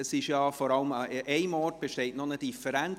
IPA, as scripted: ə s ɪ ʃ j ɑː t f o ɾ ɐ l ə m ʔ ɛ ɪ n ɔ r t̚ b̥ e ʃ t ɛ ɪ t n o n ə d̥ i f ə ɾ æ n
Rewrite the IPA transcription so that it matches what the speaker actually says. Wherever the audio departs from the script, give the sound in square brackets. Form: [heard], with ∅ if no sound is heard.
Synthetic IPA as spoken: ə s ɪ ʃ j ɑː [∅] f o ɾ [ɑ] l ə m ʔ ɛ ɪ [m] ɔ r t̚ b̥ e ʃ t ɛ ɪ t n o n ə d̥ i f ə ɾ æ n